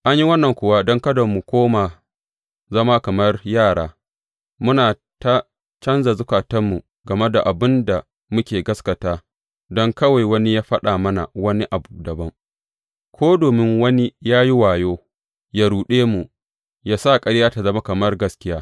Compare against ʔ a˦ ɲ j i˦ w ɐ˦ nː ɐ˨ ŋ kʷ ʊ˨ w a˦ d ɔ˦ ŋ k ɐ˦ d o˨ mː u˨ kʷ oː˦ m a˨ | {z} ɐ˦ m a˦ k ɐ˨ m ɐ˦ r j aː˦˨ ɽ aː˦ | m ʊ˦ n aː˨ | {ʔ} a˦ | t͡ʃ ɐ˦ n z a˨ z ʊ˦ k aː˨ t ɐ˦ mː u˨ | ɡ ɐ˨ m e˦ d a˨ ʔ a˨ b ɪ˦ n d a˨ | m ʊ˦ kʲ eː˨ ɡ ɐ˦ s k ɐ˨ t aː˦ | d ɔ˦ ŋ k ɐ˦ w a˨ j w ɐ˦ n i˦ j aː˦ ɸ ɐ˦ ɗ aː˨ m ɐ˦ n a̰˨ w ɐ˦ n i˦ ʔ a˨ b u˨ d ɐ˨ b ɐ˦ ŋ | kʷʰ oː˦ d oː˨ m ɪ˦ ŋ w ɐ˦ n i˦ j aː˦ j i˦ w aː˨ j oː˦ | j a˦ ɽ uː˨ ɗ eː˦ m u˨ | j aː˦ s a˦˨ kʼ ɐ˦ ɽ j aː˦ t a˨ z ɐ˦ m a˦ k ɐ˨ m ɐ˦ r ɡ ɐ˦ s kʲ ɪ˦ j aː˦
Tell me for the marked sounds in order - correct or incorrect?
correct, incorrect: t

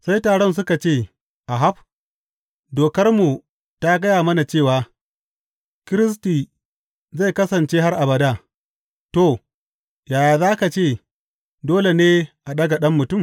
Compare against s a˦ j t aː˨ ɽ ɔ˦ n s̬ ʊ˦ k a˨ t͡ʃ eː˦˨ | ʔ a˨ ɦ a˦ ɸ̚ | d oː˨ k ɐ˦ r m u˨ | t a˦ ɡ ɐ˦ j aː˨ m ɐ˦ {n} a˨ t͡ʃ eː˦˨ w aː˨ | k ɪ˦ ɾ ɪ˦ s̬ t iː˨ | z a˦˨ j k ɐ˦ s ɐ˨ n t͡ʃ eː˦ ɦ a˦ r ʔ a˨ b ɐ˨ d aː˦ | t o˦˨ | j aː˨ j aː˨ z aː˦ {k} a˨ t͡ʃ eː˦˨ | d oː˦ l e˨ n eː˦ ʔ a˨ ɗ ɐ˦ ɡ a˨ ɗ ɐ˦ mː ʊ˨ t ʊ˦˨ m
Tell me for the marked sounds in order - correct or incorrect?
correct, correct

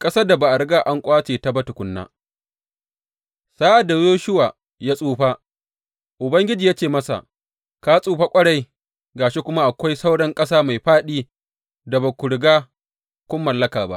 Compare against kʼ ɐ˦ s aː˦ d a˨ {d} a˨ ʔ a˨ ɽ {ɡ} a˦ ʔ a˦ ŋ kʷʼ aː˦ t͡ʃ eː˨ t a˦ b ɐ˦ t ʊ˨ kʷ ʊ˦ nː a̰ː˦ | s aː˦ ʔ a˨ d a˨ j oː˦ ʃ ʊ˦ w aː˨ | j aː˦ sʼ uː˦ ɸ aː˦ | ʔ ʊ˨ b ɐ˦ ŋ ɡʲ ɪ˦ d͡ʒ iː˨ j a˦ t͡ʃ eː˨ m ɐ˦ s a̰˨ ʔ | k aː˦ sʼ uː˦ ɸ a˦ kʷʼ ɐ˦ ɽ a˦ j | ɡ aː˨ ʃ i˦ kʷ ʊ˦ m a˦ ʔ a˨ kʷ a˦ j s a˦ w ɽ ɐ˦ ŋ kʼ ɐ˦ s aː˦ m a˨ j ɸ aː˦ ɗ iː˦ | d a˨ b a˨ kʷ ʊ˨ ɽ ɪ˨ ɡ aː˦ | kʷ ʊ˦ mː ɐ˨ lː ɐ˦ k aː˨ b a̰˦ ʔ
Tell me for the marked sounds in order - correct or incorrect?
incorrect: b, correct

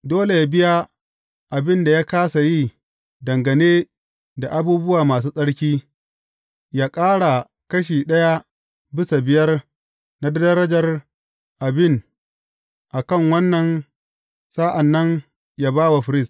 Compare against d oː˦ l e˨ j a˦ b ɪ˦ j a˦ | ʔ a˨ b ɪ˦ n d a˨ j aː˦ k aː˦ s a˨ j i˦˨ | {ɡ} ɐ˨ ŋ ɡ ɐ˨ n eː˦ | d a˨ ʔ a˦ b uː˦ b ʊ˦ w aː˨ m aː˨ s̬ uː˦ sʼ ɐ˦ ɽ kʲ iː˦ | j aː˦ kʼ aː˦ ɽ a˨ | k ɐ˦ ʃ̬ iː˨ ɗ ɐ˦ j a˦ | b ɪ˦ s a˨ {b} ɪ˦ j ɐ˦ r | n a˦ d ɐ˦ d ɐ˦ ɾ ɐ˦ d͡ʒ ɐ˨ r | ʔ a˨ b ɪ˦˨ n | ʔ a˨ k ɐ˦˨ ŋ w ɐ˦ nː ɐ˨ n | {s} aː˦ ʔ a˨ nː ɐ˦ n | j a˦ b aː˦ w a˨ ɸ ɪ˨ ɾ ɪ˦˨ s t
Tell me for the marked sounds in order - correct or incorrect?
incorrect: d, correct, correct

